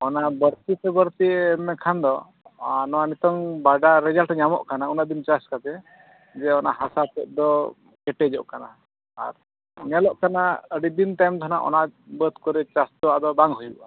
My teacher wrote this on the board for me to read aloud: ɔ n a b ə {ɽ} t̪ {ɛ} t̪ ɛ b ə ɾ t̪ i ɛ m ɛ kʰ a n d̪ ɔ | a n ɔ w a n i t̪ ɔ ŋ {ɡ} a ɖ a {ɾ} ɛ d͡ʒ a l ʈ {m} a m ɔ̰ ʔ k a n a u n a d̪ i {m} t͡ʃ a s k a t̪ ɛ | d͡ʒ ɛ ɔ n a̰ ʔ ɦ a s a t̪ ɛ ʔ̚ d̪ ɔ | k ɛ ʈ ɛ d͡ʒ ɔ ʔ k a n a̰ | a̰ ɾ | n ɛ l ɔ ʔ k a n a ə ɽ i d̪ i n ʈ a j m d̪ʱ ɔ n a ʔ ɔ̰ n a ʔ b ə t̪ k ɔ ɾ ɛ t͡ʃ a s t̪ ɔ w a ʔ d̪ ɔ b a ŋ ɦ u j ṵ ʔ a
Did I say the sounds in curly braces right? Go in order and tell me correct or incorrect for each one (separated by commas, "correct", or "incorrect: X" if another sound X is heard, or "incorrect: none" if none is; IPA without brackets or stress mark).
incorrect: ɾ, incorrect: i, incorrect: b, correct, incorrect: ɲ, incorrect: n